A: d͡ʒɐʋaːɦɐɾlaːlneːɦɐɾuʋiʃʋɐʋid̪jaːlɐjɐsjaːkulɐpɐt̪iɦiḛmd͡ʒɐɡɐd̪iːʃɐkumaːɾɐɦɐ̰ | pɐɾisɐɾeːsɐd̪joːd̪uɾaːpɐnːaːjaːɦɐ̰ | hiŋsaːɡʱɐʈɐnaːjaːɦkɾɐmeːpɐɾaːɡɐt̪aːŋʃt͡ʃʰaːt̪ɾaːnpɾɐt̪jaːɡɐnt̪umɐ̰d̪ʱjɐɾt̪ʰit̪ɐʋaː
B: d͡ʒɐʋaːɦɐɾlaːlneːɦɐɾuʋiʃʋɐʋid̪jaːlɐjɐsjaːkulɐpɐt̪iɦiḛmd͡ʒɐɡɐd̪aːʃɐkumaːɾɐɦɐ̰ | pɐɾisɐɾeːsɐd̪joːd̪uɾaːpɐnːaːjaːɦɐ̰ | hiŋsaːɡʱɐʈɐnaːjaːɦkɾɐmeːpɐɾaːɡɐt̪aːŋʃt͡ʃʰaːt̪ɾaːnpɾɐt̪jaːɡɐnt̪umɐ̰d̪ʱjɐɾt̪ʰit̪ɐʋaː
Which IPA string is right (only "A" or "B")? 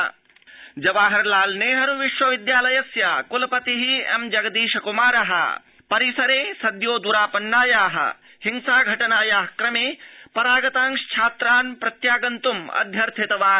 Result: A